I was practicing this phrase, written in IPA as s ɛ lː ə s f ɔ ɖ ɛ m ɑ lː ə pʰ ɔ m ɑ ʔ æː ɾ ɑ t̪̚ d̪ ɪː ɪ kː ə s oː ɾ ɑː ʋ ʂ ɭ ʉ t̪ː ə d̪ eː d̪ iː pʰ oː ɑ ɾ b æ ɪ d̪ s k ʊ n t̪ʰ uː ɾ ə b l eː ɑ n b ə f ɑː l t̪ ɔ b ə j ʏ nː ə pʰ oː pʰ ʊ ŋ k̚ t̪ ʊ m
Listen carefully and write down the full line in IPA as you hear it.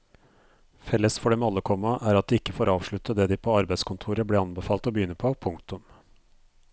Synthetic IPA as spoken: f ɛ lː ə s f ɔ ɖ ɛ m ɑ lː ə kʰ ɔ m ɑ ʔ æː ɾ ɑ t̪̚ d̪ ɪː ɪ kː ə f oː ɾ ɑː ʋ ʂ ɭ ʉ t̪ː ə d̪ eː d̪ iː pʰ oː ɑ ɾ b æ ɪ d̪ s k ʊ n t̪ʰ uː ɾ ə b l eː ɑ n b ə f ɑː l t̪ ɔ b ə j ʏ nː ə pʰ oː pʰ ʊ ŋ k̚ t̪ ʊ m